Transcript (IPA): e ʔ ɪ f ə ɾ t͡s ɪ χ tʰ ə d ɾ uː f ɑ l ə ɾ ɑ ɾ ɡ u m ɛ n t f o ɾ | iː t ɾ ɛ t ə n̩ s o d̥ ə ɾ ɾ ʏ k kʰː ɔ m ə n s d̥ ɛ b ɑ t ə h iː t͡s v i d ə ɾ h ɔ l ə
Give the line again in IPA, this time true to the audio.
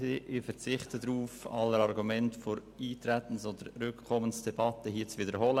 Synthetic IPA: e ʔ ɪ f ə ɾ t͡s ɪ χ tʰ ə d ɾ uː f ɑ l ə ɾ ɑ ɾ ɡ u m ɛ n t f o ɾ | iː t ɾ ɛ t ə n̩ s o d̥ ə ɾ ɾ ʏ k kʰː ɔ m ə n s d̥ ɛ b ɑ t ə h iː t͡s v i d ə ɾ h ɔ l ə